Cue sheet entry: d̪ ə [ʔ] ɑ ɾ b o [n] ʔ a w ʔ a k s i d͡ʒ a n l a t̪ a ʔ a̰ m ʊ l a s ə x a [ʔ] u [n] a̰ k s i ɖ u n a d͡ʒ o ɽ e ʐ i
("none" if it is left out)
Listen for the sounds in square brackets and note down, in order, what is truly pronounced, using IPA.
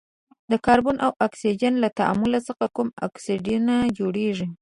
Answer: k, n, k, m

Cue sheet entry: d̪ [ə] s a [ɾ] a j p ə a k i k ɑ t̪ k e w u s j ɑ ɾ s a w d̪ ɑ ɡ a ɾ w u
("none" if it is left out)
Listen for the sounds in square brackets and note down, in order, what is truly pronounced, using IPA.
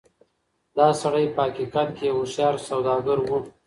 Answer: ɑ, ɽ

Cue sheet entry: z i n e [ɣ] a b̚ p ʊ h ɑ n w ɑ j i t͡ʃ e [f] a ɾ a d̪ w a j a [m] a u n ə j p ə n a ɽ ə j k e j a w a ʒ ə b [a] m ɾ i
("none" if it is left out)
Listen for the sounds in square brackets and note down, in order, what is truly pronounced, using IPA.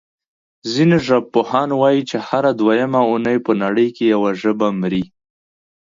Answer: ʒ, h, m, a

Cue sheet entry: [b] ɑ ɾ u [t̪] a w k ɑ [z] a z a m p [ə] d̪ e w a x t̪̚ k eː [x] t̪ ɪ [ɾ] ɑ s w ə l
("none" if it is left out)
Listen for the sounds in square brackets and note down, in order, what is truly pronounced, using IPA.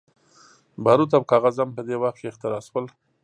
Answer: b, t̪, ɣ, ə, x, ɾ

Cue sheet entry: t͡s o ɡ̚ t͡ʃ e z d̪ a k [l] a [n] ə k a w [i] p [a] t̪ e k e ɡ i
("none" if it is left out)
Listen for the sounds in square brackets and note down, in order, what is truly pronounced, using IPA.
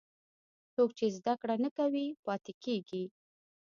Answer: ɽ, n, i, ɑ

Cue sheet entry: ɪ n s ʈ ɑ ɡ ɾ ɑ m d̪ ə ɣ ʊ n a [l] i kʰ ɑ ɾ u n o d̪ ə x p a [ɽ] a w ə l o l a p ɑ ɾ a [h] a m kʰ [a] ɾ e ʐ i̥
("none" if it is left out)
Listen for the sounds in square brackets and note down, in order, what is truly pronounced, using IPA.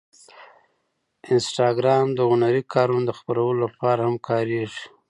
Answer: ɾ, ɾ, h, ɑ

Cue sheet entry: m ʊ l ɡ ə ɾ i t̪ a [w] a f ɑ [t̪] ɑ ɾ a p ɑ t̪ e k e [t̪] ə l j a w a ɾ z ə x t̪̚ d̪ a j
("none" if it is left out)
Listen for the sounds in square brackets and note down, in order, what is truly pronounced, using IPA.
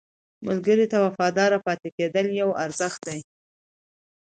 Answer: w, d̪, d̪

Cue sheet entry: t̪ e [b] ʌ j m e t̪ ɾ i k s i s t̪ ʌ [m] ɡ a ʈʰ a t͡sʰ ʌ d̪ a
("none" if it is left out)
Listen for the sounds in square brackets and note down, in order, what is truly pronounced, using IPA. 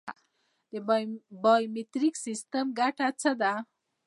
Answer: b, m

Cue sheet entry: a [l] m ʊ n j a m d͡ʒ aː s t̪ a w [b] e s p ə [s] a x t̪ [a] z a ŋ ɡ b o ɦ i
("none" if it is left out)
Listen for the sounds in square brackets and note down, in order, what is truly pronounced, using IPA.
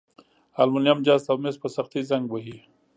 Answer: l, m, s, i

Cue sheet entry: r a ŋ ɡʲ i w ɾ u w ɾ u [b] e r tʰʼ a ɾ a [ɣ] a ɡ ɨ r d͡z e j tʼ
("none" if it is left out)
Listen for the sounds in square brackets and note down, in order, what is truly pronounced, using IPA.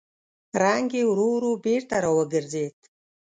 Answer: b, w

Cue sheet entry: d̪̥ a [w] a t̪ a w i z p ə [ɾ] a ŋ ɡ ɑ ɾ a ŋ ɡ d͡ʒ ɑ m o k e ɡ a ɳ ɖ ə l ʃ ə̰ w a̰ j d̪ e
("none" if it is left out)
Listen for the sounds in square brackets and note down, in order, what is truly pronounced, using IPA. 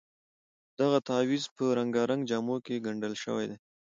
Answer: ɣ, ɾ

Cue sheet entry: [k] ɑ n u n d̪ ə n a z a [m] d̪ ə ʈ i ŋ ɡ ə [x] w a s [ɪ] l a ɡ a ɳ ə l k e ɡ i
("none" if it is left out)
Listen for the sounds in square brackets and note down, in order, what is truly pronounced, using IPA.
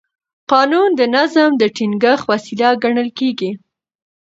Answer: q, m, x, i

